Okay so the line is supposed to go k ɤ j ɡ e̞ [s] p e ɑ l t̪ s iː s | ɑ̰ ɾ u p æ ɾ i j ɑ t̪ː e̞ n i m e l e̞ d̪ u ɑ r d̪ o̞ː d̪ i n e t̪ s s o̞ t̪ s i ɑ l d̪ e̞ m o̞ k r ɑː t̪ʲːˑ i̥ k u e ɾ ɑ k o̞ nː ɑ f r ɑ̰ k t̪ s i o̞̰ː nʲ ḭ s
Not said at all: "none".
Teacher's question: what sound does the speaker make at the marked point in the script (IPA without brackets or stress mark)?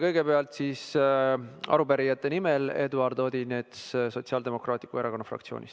none